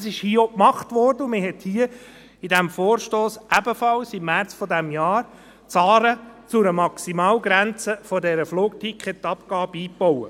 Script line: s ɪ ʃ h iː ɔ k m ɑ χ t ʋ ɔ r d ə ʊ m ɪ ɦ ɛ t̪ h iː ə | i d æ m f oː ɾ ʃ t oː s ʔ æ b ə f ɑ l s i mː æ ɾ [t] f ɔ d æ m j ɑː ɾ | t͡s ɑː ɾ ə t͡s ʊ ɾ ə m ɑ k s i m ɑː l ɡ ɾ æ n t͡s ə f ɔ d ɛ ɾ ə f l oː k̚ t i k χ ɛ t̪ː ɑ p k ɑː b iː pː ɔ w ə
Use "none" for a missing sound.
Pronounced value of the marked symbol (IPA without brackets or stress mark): t͡s